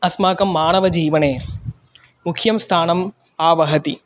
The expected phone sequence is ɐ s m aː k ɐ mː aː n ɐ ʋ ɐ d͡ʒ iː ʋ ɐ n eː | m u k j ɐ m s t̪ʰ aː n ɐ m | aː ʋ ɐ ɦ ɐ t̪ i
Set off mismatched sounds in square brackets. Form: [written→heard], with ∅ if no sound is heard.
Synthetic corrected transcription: ɐ s m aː k ɐ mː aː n ɐ ʋ ɐ d͡ʒ iː ʋ ɐ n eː | m u [k→kʰ] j ɐ m s t̪ʰ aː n ɐ m | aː ʋ ɐ ɦ ɐ t̪ i